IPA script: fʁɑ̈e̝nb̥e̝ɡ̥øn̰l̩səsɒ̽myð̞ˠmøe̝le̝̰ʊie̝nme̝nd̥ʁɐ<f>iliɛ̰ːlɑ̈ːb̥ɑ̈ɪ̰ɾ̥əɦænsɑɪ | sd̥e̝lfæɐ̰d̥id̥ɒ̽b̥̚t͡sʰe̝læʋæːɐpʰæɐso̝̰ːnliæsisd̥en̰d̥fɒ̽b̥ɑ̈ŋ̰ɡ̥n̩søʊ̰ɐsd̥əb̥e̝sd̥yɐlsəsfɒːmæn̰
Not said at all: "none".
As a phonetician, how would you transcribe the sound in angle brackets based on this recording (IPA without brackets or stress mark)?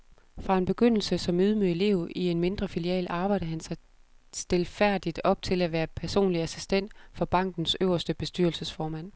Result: f